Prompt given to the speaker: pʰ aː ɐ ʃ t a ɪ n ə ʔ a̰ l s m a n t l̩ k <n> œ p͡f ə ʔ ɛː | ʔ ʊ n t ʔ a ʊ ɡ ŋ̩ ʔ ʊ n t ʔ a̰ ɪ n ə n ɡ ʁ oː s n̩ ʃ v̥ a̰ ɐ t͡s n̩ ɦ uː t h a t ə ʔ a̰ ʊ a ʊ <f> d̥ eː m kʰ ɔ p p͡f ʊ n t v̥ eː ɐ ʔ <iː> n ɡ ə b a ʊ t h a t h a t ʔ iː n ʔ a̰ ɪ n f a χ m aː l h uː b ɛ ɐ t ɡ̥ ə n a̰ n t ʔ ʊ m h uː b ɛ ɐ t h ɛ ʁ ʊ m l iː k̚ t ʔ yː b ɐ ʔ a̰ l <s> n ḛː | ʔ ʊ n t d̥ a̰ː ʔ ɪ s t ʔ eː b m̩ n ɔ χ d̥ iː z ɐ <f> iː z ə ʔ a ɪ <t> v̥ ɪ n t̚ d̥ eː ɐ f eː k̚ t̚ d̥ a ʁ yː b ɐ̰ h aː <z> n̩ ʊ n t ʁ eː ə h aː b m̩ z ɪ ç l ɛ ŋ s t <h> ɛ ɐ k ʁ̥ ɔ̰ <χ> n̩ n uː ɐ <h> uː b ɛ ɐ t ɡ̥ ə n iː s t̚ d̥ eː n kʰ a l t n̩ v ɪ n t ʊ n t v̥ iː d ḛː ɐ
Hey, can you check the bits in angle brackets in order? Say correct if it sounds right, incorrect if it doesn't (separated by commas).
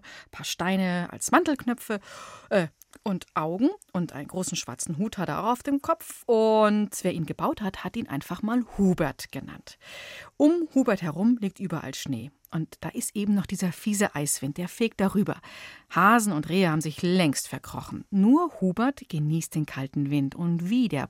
correct, correct, correct, incorrect, correct, incorrect, correct, incorrect, correct, correct